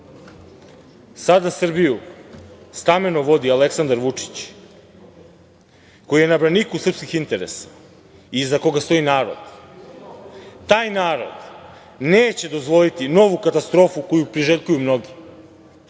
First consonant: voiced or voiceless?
voiceless